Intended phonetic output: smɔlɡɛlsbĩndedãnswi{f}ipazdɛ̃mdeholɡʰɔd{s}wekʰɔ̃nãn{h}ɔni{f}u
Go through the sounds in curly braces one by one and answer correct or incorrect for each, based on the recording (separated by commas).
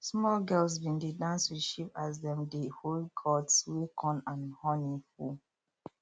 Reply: incorrect, correct, correct, correct